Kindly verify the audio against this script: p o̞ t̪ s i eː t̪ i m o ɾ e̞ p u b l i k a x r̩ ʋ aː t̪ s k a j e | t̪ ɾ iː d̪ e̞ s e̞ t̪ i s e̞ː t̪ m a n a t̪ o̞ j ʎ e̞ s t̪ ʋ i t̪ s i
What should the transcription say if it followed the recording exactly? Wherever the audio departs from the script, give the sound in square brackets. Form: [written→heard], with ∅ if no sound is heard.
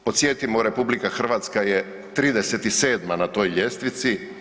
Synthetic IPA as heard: p o̞ t̪ s [i→j] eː t̪ i m o ɾ e̞ p u b l i k a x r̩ ʋ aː t̪ s k a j e | t̪ ɾ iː d̪ e̞ s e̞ t̪ i s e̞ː [t̪→d̪] m a n a t̪ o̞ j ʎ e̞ s t̪ ʋ i t̪ s i